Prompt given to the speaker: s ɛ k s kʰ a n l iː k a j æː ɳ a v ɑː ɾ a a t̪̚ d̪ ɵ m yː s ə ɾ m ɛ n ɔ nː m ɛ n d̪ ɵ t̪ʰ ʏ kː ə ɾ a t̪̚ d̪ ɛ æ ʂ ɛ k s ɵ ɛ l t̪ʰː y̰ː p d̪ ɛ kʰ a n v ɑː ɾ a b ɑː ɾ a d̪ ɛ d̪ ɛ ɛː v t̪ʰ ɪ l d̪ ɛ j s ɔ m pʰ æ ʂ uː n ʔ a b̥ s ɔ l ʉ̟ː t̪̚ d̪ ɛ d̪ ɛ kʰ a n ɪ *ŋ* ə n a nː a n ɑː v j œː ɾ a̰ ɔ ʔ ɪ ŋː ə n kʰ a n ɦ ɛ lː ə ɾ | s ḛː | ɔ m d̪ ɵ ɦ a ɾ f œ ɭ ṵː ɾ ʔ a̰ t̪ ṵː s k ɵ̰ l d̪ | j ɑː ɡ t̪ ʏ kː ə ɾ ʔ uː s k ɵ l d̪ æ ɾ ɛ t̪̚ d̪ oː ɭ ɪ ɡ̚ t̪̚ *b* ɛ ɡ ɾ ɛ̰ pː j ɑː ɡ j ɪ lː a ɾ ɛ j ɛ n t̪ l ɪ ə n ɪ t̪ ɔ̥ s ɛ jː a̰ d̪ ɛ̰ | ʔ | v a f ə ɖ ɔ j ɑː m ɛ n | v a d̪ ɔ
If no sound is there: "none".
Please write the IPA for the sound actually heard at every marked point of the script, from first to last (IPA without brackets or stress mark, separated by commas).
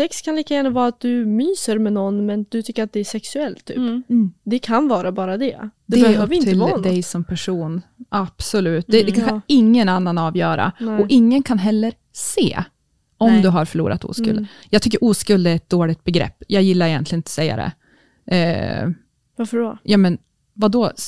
ŋː, b